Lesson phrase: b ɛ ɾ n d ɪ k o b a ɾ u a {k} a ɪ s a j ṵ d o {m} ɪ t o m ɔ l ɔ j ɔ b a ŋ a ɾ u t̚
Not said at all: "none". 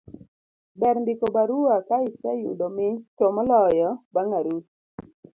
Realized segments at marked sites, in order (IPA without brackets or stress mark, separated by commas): k, m